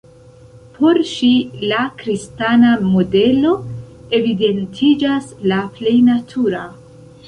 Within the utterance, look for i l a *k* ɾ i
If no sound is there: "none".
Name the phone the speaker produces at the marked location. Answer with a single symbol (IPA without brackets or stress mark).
k